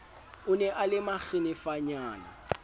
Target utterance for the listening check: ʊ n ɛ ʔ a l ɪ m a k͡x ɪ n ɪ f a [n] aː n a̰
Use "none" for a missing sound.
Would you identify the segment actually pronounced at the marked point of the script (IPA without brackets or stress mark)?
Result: ɲ